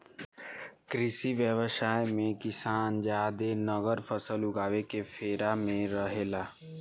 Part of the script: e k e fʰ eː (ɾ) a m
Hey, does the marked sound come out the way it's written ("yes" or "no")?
yes